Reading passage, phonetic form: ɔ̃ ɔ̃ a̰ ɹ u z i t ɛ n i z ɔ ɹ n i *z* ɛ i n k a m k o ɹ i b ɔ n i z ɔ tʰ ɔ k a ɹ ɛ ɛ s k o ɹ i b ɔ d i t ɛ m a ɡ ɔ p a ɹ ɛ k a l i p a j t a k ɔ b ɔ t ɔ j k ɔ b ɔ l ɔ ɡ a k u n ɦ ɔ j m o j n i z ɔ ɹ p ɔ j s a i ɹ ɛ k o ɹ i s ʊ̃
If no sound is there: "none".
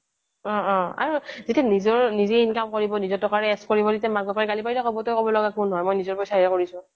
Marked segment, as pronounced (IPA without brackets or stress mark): z